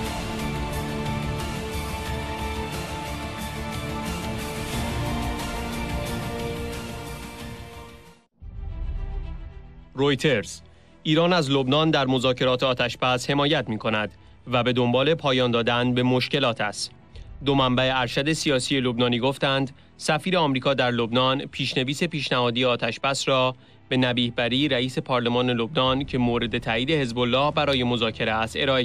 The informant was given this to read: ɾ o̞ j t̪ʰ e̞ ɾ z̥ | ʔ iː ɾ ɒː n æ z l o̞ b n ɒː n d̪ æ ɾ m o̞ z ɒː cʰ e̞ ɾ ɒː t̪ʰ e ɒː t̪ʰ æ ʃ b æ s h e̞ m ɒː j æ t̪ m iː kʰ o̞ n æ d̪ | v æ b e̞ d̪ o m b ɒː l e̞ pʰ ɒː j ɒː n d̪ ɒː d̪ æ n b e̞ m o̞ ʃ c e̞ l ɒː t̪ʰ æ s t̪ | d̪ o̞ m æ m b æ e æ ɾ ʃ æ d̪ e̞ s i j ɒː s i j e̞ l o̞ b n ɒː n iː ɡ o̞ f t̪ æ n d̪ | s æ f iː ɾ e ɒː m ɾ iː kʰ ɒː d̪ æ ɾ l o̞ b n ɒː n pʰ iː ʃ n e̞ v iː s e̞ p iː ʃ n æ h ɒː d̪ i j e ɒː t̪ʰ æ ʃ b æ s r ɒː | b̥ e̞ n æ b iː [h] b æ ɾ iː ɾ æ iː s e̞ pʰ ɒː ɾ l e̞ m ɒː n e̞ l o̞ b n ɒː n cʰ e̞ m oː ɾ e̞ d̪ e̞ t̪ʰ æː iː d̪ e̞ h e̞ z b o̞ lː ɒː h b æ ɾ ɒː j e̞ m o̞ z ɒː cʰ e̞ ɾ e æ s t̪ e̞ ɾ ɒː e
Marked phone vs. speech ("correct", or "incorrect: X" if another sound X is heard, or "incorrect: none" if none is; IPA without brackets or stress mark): correct